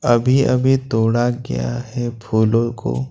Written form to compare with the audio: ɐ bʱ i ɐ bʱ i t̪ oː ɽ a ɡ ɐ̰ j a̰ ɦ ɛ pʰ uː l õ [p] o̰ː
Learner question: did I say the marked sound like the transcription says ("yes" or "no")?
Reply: no